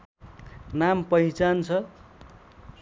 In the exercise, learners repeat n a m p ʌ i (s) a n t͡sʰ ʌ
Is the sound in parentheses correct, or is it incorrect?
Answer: incorrect